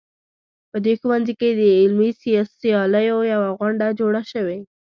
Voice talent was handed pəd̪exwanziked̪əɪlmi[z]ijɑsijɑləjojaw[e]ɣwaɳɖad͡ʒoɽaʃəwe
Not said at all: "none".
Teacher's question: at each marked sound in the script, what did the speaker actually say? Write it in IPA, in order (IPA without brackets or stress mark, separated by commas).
s, a